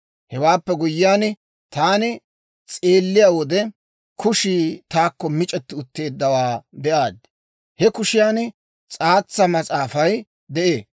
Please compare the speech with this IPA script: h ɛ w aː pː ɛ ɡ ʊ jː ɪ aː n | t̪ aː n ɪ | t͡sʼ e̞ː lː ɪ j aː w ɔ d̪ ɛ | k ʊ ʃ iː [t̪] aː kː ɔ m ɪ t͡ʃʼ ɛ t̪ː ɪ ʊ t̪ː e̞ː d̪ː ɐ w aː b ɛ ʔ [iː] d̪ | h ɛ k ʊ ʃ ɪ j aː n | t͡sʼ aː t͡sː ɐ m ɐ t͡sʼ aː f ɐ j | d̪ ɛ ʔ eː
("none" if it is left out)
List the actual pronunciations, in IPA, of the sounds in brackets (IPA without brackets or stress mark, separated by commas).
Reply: t̪, aː